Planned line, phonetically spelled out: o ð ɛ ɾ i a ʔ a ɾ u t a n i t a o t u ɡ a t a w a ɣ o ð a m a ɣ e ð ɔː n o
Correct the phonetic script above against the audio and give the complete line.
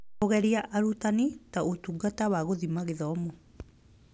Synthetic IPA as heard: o ɣ ɛ ɾ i a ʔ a ɾ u t a n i t a o t u ɡ a t a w a ɣ o ð i m a ɣ e ð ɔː m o